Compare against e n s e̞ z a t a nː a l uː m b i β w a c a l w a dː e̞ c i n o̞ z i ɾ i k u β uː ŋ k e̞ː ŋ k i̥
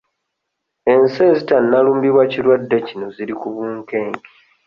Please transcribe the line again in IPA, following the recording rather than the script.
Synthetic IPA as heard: e n s e̞ z i t a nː a l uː m b i β w a c i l w a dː e̞ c i n o̞ z i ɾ i k u β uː ŋ k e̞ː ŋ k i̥